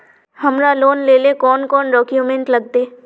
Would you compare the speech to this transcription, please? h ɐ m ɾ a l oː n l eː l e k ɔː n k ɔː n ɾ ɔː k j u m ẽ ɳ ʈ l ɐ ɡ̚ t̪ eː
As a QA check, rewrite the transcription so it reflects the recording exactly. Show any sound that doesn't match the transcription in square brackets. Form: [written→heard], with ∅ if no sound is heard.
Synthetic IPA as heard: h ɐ m ɾ a l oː n l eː l e k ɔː n k ɔː n ɾ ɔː k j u m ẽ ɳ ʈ l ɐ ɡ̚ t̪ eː